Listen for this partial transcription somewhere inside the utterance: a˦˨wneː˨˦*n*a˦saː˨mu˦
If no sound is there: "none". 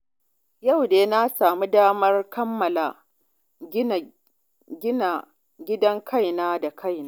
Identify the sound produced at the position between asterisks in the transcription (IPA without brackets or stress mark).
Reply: n